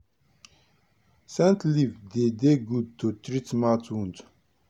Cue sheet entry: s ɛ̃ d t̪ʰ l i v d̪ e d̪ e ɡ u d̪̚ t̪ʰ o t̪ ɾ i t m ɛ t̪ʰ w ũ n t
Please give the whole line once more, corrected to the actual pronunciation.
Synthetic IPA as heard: s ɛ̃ n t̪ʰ l i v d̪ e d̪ e ɡ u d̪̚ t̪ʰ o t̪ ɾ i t m a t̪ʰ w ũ n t